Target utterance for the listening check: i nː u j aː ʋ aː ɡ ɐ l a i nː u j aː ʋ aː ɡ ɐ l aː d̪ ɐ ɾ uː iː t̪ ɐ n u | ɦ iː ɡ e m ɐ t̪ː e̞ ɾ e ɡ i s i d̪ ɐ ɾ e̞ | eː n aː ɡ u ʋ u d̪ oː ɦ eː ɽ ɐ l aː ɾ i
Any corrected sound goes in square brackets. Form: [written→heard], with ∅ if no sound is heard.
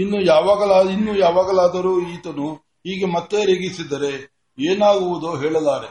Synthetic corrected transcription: i nː u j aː ʋ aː ɡ ɐ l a i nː u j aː ʋ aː ɡ ɐ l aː d̪ ɐ ɾ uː iː t̪ ɐ n u | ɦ iː ɡ e m ɐ t̪ː e̞ ɾ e ɡ i s i d̪ ɐ ɾ e̞ | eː n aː ɡ u ʋ u d̪ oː ɦ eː [ɽ→ɭ] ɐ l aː ɾ [i→e]